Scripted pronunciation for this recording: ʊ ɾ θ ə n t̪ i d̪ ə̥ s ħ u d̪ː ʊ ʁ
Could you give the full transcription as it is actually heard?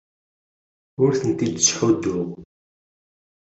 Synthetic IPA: ʊ ɾ θ ə n t̪ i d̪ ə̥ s ħ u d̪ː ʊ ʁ